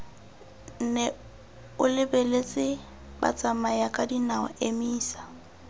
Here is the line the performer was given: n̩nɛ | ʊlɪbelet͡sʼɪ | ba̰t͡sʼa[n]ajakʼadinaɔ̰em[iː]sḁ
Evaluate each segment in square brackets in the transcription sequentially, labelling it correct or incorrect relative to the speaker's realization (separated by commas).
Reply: incorrect, correct